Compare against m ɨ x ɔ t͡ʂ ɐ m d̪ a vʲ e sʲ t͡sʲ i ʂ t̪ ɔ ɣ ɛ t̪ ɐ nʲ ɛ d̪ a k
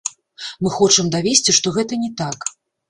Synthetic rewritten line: m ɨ x ɔ t͡ʂ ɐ m d̪ a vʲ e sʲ t͡sʲ i ʂ t̪ ɔ ɣ ɛ t̪ ɐ nʲ ɛ t̪ a k